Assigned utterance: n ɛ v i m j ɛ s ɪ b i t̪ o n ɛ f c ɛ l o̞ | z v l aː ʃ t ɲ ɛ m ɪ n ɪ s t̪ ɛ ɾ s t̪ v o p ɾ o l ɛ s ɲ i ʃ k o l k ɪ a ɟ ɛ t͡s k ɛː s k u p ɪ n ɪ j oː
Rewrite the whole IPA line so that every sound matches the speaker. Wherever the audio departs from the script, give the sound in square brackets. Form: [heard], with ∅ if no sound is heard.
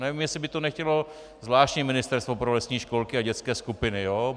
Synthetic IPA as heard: n ɛ v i m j ɛ s ɪ b [ɪ] t̪ o n ɛ [x] c ɛ l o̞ | z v l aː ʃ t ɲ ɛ m ɪ n ɪ s t̪ ɛ ɾ s t̪ v o p ɾ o l ɛ s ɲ [iː] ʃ k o l k ɪ a ɟ ɛ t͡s k ɛː s k u p ɪ n ɪ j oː